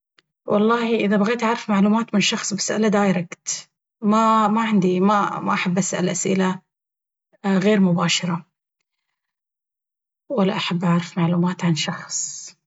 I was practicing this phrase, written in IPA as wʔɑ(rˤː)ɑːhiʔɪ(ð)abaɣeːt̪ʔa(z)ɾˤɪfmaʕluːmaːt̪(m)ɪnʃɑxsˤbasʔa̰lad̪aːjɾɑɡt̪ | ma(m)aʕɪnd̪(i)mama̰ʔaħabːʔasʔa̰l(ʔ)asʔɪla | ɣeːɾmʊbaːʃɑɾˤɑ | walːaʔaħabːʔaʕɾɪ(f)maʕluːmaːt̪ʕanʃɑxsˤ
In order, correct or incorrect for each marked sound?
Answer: incorrect, correct, incorrect, correct, correct, correct, correct, correct

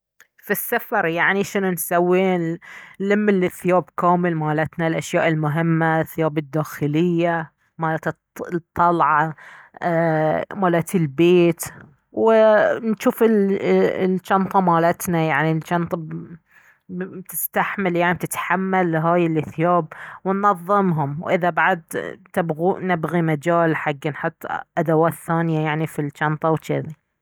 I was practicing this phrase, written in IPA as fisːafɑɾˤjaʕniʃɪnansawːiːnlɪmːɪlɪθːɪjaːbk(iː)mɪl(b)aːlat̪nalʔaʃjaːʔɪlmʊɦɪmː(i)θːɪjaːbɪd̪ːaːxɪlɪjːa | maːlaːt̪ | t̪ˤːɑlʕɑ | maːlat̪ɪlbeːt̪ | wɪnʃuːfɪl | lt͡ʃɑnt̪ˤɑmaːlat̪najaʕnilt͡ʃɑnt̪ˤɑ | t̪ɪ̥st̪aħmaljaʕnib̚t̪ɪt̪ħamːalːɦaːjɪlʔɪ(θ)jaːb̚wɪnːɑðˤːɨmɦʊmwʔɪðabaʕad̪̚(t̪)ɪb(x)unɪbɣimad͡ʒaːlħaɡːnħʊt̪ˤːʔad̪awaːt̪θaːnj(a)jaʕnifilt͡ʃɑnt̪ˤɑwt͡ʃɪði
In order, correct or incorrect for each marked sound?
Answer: incorrect, incorrect, incorrect, correct, correct, incorrect, correct

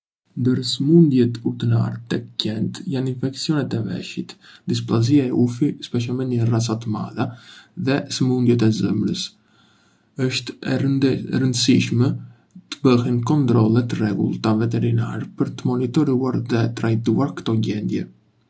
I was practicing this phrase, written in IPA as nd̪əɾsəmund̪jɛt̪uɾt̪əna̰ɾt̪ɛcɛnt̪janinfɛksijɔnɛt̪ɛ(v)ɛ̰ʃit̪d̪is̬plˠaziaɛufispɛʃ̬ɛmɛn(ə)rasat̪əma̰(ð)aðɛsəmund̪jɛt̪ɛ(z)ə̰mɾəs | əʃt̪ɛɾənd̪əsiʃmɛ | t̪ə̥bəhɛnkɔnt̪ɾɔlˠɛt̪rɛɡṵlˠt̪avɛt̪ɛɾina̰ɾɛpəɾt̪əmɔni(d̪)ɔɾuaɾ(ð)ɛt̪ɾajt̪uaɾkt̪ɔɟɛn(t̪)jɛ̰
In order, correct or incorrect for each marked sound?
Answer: correct, correct, correct, correct, incorrect, correct, incorrect

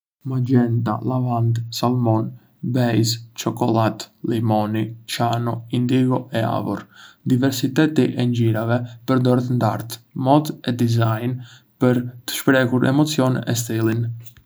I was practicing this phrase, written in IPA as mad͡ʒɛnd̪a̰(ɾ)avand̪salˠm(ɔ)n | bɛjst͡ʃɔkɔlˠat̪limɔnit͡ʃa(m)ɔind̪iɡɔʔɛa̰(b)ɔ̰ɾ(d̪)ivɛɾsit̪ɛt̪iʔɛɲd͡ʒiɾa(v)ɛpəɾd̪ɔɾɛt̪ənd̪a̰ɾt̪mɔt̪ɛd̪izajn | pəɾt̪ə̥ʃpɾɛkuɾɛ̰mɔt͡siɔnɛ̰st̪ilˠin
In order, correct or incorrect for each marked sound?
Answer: incorrect, correct, incorrect, incorrect, correct, correct

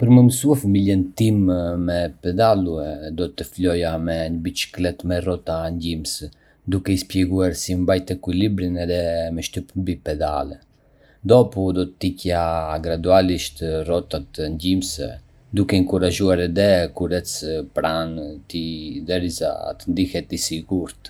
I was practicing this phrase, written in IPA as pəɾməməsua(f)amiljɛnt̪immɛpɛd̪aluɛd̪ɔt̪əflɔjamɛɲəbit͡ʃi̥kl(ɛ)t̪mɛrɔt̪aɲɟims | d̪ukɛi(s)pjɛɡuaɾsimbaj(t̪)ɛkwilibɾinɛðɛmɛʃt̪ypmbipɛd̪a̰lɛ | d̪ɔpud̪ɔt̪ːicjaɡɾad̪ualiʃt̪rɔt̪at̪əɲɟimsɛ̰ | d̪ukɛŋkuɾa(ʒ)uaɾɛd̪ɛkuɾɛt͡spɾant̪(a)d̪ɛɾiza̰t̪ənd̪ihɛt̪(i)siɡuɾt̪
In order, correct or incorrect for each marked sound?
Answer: correct, correct, correct, correct, correct, incorrect, correct

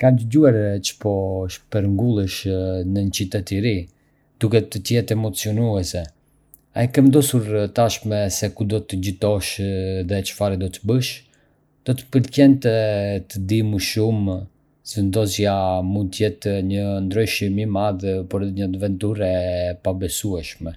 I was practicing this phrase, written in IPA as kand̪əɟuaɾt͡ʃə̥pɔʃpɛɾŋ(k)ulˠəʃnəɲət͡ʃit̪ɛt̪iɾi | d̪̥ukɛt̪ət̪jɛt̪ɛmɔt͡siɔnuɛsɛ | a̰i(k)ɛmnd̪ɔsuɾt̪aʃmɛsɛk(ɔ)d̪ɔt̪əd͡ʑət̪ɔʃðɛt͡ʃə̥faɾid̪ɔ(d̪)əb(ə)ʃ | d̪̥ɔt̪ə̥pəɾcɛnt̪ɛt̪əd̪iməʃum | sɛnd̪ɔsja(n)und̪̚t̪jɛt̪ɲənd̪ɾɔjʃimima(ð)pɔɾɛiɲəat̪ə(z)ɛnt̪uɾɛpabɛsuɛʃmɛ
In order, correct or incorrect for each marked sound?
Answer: incorrect, correct, incorrect, incorrect, correct, incorrect, correct, incorrect

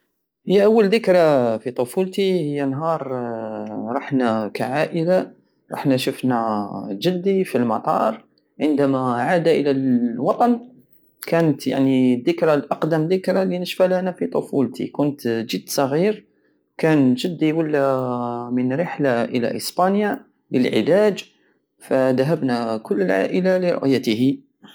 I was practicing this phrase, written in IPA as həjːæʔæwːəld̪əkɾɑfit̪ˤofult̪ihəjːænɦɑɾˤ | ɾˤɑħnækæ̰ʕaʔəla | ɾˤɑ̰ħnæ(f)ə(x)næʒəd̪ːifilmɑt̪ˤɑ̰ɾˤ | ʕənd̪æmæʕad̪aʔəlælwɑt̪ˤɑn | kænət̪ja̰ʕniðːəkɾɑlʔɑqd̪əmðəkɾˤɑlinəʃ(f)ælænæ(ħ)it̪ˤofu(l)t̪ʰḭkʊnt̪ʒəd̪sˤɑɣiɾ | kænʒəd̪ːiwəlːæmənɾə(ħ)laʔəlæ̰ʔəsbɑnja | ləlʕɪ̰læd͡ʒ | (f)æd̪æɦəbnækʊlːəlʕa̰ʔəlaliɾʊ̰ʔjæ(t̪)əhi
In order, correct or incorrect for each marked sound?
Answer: incorrect, incorrect, correct, incorrect, correct, correct, correct, correct

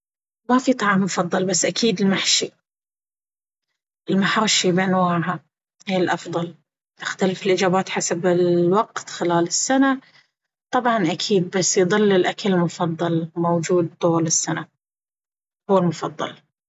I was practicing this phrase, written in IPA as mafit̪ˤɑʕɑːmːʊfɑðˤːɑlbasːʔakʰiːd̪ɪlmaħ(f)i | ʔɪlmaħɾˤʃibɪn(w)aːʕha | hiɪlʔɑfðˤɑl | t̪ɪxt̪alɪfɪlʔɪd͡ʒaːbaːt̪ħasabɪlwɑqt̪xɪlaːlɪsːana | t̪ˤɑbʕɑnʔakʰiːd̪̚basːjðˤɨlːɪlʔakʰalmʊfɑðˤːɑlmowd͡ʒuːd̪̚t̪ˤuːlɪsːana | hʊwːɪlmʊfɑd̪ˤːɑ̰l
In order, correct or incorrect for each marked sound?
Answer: incorrect, correct

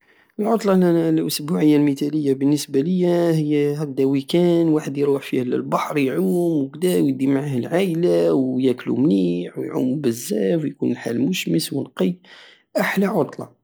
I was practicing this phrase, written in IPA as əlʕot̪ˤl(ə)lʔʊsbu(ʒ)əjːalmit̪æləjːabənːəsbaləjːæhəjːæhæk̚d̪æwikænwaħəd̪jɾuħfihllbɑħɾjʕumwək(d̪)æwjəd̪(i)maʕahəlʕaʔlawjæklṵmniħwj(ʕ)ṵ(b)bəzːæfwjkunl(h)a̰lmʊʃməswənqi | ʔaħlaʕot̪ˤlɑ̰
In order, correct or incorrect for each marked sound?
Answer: incorrect, incorrect, correct, correct, correct, incorrect, incorrect

